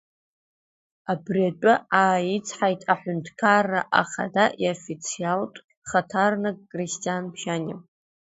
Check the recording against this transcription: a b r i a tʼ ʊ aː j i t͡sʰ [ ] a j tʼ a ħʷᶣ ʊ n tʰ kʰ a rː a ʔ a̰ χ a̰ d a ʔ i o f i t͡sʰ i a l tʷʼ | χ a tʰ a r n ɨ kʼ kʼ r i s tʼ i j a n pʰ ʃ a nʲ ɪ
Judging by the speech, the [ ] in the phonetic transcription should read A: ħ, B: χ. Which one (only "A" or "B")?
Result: A